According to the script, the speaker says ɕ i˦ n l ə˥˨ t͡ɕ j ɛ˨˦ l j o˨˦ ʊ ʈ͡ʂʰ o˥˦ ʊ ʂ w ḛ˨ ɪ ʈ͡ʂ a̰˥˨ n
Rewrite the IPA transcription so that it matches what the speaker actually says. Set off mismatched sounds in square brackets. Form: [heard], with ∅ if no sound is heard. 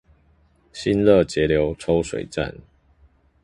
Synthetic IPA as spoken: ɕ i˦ n l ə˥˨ t͡ɕ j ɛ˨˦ l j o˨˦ ʊ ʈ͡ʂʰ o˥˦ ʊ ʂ w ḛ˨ ɪ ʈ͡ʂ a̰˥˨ n